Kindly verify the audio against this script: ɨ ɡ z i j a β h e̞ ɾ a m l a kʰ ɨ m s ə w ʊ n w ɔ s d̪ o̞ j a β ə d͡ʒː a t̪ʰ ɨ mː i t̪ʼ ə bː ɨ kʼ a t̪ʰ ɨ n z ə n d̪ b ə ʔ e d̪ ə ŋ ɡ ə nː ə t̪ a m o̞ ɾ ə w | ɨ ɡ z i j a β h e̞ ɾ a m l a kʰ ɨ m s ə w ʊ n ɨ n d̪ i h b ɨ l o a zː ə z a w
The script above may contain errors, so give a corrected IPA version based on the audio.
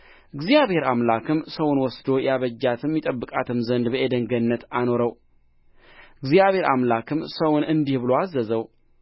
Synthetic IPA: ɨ ɡ z i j a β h e̞ ɾ a m l a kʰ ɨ m s ə w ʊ n w ɔ s d̪ o̞ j a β ə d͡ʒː a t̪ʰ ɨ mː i t̪ʼ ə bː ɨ kʼ a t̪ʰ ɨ m z ə n d̪ b ə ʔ e d̪ ə ŋ ɡ ə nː ə t̪ a n o̞ ɾ ə w | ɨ ɡ z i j a β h e̞ ɾ a m l a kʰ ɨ m s ə w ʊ n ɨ n d̪ i h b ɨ l o a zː ə z ə w

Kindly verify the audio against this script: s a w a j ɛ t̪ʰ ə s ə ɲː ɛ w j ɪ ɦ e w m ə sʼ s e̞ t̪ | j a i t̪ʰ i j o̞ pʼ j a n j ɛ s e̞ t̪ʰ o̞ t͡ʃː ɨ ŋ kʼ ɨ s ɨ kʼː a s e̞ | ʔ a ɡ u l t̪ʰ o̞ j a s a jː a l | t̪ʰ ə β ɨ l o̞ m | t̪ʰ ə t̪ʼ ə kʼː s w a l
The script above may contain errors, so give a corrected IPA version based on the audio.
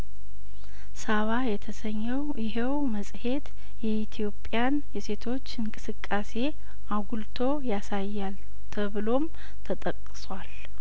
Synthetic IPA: s a β a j ɛ t̪ʰ ə s ə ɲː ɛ w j ɪ ɦ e w m ə sʼ h e̞ t̪ | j ɛ i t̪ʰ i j o̞ pʼ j a n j ɛ s e̞ t̪ʰ o̞ t͡ʃː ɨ ŋ kʼ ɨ s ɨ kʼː a s e̞ | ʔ a ɡ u l t̪ʰ o̞ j a s a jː a l | t̪ʰ ə β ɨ l o̞ m | t̪ʰ ə t̪ʼ ə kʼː s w a l

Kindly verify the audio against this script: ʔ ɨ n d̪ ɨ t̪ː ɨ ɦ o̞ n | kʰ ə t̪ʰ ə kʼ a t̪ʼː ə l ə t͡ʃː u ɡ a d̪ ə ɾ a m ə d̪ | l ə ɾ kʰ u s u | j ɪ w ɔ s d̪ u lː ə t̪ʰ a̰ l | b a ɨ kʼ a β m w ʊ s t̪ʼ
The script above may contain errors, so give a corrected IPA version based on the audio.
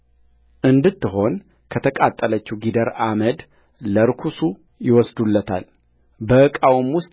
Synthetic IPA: ʔ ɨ n d̪ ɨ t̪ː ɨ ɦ o̞ n | kʰ ə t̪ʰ ə kʼ a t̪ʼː ə l ə t͡ʃː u ɡ i d̪ ə ɾ a m ə d̪ | l ə ɾ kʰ u s u | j ɪ w ɔ s d̪ u lː ə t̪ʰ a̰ l | b ə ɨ kʼ a w m w ʊ s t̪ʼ

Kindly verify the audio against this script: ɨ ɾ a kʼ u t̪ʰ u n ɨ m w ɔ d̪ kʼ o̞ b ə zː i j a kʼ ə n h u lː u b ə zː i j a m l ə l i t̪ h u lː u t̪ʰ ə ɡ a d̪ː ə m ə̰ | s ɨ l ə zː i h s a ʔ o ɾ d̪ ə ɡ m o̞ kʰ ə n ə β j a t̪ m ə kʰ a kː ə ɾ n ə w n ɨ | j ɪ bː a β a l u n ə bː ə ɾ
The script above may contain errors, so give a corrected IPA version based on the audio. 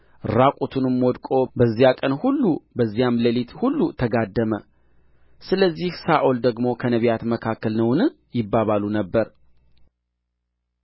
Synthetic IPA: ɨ ɾ a kʼ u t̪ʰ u n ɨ m w ɔ d̪ kʼ o̞ b ə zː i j a kʼ ə n h u lː u b ə zː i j a m l ə l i t̪ h u lː u t̪ʰ ə ɡ a d̪ː ə m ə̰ | s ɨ l ə zː i h s a ʔ o l d̪ ə ɡ m o̞ kʰ ə n ə β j a t̪ m ə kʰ a kː ə l n ə w n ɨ | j ɪ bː a β a l u n ə bː ə ɾ

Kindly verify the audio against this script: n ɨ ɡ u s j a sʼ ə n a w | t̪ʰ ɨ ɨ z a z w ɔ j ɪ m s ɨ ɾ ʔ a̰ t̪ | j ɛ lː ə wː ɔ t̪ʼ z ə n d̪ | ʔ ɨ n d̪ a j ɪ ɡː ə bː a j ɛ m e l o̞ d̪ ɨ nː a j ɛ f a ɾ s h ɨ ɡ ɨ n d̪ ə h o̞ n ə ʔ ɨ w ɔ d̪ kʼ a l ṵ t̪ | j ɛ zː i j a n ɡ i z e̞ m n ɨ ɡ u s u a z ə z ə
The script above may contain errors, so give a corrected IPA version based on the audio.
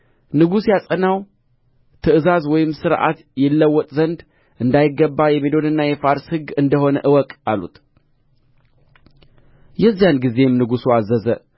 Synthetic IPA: n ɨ ɡ u s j a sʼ ə n a w | t̪ʰ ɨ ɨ z a z w ɔ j ɪ m s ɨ ɾ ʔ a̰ t̪ | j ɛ lː ə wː ɔ t̪ʼ z ə n d̪ | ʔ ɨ n d̪ a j ɪ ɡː ə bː a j ɛ m e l o̞ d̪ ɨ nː a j ɛ f a ɾ s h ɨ ɡ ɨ n d̪ ə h o̞ n ə ʔ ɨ w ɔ kʼ a l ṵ t̪ | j ɛ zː i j a n ɡ i z e̞ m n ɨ ɡ u s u a z ə z ə

